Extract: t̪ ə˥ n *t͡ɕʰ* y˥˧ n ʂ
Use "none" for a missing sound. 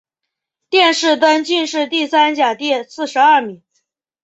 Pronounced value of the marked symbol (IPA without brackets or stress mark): t͡ɕ